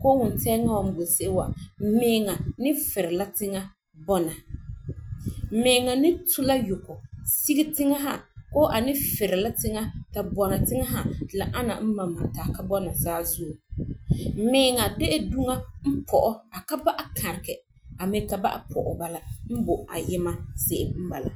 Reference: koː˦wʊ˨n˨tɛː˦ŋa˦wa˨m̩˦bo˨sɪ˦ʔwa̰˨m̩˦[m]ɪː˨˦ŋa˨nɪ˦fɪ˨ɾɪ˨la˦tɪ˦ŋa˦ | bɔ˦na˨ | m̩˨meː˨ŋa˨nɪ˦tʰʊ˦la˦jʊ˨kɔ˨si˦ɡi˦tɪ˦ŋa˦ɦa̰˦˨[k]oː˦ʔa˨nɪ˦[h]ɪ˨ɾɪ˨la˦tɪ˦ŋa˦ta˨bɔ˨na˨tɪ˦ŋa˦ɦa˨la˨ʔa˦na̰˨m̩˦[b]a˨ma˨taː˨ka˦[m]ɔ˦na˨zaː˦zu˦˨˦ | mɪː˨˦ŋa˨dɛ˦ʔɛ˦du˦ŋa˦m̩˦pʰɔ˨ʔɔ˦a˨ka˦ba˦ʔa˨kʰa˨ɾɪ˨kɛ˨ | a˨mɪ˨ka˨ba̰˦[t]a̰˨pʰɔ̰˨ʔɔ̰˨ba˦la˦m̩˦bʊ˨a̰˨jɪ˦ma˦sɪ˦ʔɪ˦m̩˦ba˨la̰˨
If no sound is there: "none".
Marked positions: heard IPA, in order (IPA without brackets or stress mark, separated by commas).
m, k, f, m, b, ʔ